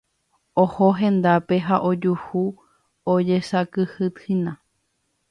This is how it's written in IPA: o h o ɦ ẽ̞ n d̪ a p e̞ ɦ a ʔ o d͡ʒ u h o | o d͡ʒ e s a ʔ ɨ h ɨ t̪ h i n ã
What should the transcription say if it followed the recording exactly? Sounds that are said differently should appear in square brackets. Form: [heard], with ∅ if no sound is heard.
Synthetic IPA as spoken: o h o ɦ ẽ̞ n d̪ a p e̞ ɦ a ʔ o d͡ʒ u h [u] | o d͡ʒ e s a [k] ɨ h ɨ t̪ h i n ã